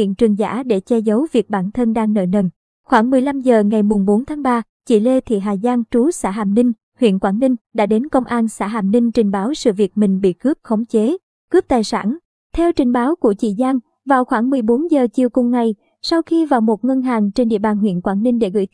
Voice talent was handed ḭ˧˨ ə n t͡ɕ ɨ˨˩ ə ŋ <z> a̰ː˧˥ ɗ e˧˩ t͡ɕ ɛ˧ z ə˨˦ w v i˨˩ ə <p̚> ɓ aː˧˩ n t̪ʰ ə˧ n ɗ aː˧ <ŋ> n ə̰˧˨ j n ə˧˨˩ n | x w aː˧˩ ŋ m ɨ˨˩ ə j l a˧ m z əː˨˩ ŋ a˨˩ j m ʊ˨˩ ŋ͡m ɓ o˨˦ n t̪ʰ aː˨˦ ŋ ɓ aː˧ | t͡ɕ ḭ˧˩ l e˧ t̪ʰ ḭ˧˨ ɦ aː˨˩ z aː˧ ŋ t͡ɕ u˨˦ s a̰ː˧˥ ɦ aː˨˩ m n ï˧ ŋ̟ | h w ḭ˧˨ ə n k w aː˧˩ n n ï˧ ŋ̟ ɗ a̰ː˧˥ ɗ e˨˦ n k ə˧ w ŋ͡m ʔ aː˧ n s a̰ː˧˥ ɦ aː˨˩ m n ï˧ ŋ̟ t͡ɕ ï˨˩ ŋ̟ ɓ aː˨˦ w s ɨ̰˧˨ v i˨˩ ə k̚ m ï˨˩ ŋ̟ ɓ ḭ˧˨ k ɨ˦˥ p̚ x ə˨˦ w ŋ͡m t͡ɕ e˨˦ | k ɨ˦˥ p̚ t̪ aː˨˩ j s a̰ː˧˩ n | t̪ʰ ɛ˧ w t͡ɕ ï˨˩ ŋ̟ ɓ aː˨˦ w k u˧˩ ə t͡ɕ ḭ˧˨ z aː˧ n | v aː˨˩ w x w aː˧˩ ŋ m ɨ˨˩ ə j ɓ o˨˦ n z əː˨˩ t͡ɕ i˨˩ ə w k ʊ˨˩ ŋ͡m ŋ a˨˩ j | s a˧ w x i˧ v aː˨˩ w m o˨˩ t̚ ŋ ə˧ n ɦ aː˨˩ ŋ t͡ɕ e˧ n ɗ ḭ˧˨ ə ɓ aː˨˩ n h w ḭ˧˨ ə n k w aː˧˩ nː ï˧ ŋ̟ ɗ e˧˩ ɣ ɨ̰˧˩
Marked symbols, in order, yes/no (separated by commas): yes, no, yes